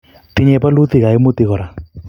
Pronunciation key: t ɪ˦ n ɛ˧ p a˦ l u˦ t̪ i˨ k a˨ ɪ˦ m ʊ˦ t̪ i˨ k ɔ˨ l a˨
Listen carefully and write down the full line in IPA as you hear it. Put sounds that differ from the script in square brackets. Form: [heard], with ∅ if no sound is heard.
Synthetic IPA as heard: t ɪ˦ [ɲ] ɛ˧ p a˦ l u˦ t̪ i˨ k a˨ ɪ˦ m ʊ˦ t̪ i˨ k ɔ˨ [ɾ] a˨